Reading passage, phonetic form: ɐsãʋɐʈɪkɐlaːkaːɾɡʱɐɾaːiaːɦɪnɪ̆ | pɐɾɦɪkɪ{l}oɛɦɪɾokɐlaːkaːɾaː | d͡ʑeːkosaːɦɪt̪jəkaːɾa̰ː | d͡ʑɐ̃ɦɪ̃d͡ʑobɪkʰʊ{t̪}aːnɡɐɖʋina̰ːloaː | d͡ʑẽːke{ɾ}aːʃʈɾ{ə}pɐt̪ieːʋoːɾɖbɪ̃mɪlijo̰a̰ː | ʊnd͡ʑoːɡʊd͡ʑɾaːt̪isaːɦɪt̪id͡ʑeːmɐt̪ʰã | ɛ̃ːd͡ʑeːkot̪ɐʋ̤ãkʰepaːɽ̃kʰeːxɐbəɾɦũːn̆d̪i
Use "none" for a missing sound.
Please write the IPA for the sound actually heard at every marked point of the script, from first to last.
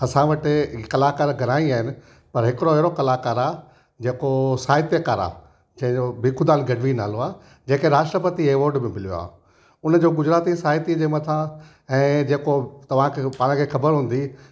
ɽ, d̪, ɾ, ə

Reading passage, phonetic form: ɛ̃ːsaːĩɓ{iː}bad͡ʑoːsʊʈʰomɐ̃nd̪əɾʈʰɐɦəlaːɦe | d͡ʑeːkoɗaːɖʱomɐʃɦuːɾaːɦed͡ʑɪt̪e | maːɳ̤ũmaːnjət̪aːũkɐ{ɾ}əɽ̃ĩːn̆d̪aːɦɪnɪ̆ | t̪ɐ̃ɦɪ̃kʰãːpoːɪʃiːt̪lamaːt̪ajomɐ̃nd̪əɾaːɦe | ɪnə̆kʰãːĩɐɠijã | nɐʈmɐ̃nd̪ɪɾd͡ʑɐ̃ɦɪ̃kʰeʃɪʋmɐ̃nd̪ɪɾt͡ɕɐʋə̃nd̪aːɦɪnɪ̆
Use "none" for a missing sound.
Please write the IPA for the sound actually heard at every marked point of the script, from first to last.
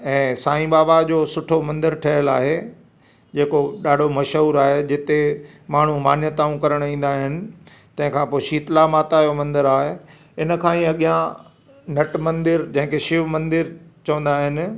aː, ɾ

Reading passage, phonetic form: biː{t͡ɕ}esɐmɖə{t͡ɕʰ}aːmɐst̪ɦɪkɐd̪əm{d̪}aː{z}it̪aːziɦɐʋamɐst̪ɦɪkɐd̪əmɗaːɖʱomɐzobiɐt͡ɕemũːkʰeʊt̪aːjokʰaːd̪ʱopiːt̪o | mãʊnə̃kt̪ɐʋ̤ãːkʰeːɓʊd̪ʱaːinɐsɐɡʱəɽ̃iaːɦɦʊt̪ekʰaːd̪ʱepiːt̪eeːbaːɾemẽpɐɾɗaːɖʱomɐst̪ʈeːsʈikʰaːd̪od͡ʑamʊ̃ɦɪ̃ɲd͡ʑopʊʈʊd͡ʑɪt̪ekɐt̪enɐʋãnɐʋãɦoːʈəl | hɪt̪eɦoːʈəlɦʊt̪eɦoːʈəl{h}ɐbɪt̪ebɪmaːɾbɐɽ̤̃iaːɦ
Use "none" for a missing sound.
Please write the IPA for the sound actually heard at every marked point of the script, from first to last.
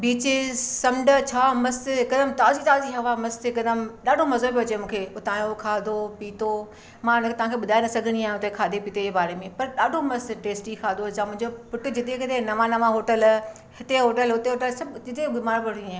t͡ɕ, t͡ɕʰ, t̪, z, s

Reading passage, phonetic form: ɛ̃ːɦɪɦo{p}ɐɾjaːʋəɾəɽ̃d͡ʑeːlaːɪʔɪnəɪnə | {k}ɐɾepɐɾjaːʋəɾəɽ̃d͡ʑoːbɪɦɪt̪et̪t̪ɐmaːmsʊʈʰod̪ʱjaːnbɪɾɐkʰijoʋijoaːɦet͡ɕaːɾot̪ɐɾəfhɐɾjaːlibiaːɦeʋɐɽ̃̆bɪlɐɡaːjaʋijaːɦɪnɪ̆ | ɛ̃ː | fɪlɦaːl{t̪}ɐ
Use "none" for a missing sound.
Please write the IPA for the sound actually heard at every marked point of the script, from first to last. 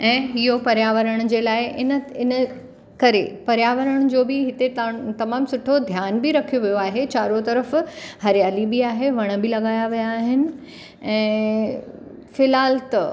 p, k, t̪

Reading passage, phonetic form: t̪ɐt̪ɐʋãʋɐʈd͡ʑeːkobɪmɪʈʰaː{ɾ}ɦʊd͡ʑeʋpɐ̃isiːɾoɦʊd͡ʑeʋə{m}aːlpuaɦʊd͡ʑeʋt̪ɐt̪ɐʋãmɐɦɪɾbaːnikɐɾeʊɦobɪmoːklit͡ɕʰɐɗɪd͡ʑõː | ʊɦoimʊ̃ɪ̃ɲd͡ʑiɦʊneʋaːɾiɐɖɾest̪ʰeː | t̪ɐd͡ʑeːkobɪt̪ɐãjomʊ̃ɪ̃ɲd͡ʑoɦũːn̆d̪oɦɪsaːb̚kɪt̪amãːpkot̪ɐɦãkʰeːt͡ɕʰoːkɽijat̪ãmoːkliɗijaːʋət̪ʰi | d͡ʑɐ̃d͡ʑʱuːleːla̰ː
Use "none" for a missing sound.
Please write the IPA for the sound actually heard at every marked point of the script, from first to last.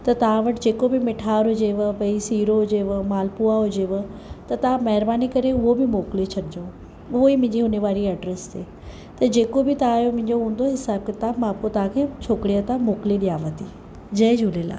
ɾ, m

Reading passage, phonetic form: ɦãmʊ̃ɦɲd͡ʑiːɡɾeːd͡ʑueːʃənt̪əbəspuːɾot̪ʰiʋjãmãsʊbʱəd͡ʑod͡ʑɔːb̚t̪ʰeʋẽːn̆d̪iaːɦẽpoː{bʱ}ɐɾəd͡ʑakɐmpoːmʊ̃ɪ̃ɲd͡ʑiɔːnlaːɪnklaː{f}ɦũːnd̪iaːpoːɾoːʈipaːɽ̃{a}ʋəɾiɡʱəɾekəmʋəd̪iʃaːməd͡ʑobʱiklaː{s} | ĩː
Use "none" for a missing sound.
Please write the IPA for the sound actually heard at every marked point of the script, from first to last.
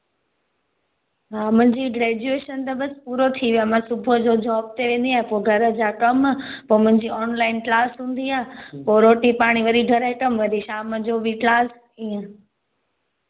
ɡʱ, s, i, s

